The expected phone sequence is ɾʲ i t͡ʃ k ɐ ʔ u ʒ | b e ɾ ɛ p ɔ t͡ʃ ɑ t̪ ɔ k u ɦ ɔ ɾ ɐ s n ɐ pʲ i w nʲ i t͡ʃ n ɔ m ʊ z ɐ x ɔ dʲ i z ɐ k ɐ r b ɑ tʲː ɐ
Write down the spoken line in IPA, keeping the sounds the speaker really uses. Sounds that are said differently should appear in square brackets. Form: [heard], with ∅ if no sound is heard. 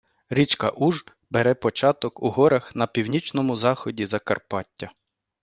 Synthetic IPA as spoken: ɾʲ i t͡ʃ k ɐ ʔ u ʒ | b e ɾ ɛ p ɔ t͡ʃ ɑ t̪ ɔ k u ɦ ɔ ɾ ɐ [x] n ɐ pʲ i w nʲ i t͡ʃ n ɔ m ʊ z [ɑ] x ɔ dʲ i z ɐ k ɐ r [p] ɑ tʲː ɐ